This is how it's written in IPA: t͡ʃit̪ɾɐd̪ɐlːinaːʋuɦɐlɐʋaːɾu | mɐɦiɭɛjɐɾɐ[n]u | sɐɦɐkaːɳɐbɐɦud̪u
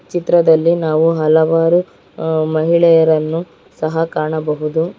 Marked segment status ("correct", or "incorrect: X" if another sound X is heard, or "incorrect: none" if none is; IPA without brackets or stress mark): incorrect: nː